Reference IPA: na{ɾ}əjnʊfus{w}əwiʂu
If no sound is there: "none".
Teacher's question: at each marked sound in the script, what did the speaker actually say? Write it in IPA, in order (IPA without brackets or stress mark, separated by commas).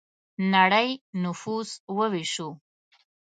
ɽ, w